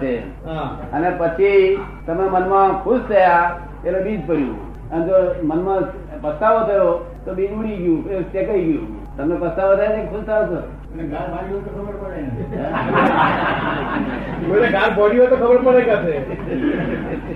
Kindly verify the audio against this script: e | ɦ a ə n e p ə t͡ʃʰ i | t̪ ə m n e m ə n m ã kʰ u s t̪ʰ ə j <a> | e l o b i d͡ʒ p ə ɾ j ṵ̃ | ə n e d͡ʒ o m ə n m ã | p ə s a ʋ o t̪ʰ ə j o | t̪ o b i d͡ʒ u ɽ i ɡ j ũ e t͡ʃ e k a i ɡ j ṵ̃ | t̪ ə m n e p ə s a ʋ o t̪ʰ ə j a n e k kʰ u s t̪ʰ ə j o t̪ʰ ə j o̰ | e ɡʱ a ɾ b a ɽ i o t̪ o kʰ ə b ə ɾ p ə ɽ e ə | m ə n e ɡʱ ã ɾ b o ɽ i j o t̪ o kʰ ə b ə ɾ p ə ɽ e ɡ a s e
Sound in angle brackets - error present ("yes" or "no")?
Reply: no